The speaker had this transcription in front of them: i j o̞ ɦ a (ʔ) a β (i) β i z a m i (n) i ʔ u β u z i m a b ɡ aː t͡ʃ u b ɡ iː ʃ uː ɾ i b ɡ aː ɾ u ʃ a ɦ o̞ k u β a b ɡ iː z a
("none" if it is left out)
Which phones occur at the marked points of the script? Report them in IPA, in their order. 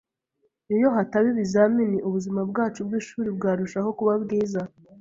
t, i, n

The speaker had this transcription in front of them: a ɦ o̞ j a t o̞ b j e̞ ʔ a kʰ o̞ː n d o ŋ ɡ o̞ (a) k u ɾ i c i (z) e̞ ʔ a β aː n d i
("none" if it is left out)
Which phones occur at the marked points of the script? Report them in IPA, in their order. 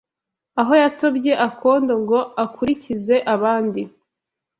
a, z

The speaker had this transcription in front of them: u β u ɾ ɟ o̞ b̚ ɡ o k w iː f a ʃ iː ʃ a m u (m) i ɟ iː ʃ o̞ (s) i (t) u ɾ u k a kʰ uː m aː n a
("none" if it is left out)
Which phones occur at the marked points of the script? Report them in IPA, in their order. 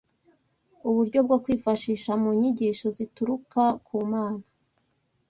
ɲ, z, t

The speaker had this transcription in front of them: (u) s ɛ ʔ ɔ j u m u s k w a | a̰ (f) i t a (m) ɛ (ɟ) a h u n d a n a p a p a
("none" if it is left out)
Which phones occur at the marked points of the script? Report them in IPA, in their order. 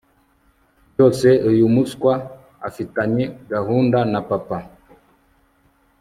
ɔ, f, ɲ, ɡ

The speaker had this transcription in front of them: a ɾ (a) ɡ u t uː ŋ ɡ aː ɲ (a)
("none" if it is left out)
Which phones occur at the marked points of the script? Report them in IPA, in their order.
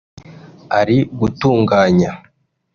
i, a

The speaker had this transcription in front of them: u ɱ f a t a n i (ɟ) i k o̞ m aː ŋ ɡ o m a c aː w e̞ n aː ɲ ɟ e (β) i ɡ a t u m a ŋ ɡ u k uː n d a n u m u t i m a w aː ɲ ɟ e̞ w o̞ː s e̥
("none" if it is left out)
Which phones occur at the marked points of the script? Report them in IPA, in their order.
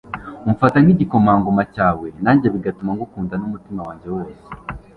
ɟ, β

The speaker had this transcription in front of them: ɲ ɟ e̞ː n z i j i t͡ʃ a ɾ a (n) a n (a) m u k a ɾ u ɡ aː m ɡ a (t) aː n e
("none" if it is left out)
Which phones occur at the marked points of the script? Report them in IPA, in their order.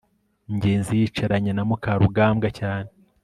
ɲ, a, c

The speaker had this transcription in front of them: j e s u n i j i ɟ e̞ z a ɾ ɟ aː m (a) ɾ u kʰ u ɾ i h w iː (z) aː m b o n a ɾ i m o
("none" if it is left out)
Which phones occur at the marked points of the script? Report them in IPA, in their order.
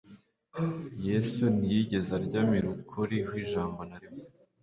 i, ʒ

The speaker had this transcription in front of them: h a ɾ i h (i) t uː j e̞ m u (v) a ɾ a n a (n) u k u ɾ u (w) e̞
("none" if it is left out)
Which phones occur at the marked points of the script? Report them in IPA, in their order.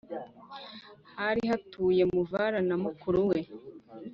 a, v, m, w

